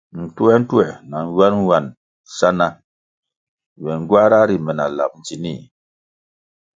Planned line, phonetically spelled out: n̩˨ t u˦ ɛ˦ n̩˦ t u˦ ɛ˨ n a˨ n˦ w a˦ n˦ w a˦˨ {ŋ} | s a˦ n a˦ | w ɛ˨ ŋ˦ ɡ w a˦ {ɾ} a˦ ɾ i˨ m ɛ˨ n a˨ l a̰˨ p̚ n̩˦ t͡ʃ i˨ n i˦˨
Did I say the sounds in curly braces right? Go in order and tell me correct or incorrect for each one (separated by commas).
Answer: incorrect, correct